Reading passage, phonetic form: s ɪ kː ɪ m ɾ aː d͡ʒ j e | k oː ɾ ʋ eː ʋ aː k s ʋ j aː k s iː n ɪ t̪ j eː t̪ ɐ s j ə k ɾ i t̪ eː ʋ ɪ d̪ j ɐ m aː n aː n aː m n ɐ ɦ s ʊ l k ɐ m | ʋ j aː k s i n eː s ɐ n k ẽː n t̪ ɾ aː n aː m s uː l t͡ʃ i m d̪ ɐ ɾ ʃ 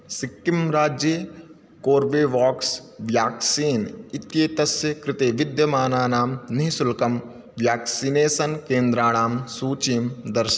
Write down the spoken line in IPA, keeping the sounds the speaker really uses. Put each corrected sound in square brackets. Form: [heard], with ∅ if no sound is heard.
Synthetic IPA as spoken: s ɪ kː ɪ m ɾ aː d͡ʒ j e | k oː ɾ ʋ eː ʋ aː k s ʋ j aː k s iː n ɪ t̪ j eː t̪ ɐ s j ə k ɾ [ɪ] t̪ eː ʋ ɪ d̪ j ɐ m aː n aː n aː m n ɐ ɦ s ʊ l k ɐ m | ʋ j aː k s i n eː s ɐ n k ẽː n [d̪] ɾ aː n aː m s uː [∅] t͡ʃ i m d̪ ɐ ɾ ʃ